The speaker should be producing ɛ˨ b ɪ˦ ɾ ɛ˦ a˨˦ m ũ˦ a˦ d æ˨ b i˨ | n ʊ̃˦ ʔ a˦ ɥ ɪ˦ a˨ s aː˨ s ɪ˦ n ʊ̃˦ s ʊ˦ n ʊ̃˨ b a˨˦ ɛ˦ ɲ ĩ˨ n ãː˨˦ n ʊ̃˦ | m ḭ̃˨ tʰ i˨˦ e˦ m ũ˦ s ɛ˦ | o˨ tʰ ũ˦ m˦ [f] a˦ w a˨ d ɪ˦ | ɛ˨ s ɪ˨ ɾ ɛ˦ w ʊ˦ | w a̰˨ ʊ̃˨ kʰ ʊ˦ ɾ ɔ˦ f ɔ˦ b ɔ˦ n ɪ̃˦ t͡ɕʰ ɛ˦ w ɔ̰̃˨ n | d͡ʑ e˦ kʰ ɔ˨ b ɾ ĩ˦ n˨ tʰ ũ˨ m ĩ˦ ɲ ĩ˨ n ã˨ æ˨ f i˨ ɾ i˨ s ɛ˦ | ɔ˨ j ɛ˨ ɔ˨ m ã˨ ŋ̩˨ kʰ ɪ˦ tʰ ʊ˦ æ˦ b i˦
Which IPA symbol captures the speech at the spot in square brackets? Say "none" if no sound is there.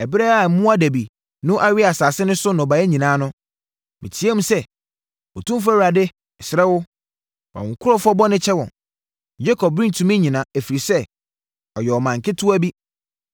f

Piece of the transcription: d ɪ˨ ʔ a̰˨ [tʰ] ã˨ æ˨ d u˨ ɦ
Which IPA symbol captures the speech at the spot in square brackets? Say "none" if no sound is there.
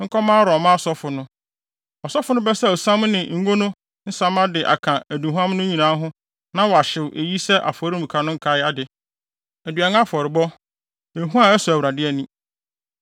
kʰ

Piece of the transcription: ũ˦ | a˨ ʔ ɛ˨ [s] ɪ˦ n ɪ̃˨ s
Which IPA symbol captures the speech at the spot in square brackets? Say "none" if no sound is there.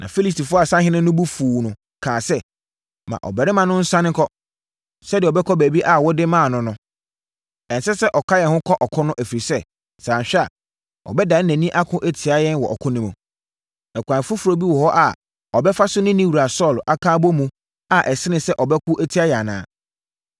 s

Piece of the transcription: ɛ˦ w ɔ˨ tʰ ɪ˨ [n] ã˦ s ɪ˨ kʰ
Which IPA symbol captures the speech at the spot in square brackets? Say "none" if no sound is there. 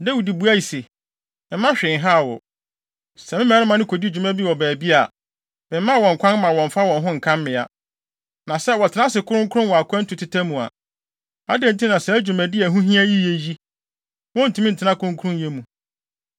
n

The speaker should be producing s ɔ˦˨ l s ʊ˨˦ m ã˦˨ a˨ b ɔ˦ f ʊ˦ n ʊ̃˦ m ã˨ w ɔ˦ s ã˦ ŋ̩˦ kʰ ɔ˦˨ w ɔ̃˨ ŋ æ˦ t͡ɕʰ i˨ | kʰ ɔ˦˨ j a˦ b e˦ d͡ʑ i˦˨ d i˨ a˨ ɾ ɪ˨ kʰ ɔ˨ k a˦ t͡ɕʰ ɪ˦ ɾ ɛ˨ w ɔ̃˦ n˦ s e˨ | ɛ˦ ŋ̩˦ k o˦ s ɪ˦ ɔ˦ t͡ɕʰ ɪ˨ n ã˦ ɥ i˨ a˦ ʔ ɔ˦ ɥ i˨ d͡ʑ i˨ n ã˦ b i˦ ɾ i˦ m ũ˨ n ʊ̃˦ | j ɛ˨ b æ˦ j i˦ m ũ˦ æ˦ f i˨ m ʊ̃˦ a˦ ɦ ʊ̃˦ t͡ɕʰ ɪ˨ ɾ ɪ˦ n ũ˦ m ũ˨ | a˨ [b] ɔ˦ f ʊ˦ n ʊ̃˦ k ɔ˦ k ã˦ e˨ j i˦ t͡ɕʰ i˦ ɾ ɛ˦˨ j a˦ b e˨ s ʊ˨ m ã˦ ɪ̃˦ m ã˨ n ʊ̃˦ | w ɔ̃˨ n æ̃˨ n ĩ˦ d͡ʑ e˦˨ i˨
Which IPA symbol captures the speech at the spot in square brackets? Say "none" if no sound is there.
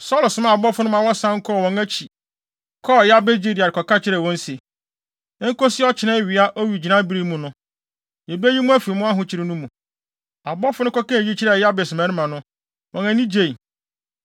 b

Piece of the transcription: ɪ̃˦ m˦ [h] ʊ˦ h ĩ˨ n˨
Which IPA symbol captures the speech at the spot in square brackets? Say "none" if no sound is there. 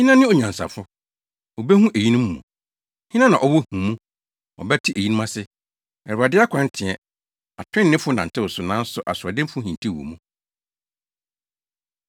f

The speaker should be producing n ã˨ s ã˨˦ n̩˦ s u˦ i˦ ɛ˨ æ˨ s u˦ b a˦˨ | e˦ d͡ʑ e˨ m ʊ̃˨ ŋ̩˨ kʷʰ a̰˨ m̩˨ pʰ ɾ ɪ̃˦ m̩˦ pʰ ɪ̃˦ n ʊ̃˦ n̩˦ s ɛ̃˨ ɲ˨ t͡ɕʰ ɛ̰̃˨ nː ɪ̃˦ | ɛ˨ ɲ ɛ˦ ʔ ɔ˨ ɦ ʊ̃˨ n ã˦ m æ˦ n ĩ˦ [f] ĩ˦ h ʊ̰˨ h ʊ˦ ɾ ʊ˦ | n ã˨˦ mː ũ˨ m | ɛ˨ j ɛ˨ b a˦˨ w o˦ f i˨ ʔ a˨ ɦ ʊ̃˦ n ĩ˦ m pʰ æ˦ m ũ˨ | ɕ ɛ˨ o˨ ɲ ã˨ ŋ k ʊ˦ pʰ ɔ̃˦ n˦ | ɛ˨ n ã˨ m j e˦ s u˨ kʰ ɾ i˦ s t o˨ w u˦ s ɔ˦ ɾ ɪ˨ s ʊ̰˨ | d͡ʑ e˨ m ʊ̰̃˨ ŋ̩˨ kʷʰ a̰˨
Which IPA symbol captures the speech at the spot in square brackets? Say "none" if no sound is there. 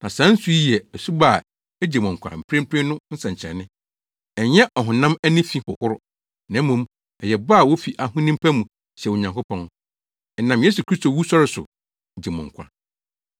f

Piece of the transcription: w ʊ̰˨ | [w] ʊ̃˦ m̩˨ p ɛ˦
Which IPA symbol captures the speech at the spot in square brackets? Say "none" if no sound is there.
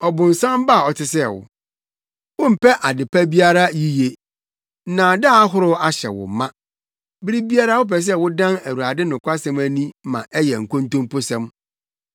w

